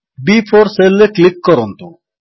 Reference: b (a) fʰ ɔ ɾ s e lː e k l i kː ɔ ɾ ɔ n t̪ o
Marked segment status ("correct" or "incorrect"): incorrect